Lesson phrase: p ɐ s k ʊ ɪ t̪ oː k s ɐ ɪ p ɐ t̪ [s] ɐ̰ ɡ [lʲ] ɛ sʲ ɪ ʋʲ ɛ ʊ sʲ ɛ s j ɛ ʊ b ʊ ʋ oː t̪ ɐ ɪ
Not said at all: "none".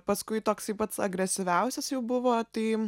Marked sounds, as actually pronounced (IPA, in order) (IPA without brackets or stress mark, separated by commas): s, ɾʲ